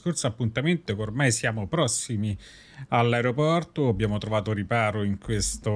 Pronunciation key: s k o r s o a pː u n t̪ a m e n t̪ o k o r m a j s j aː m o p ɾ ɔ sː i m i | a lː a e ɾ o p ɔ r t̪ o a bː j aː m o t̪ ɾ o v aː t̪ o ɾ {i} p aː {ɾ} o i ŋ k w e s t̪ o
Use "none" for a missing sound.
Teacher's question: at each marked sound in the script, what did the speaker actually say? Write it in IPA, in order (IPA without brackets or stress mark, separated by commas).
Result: i, ɾ